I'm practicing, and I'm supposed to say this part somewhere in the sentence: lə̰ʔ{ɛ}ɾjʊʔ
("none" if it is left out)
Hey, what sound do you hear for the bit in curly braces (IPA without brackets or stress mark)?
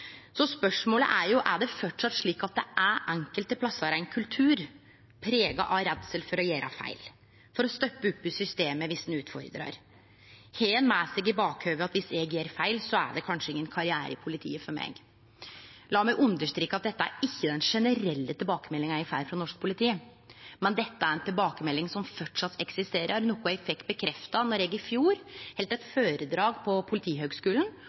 æ